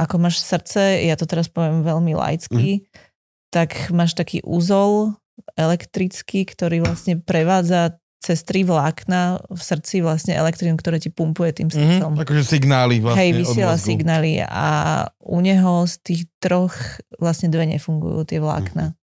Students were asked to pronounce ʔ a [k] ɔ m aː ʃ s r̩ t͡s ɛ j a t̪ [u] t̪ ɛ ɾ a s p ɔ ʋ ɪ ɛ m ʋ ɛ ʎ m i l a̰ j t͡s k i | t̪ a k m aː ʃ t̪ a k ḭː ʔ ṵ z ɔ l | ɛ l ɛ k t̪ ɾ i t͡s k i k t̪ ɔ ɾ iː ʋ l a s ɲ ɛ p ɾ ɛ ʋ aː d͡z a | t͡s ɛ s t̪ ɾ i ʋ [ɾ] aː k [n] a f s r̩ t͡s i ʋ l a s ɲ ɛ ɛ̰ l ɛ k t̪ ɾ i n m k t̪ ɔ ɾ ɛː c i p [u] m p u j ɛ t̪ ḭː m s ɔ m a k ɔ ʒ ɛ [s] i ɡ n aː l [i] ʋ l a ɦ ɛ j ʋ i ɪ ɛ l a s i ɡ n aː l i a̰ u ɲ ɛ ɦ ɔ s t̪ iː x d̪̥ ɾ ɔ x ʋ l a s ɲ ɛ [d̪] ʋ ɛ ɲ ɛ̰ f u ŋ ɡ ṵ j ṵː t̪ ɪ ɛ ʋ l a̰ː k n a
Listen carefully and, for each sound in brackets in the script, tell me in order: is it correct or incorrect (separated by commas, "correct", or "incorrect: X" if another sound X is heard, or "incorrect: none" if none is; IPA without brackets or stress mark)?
correct, incorrect: ɔ, incorrect: l, correct, correct, correct, correct, correct